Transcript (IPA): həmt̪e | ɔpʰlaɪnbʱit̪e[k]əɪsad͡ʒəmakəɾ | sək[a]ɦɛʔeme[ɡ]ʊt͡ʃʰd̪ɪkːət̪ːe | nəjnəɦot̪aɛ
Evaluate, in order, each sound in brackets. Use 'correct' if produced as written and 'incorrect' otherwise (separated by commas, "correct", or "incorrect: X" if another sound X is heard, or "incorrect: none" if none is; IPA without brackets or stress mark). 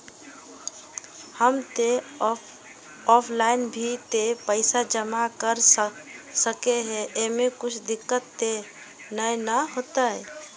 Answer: incorrect: p, incorrect: e, incorrect: k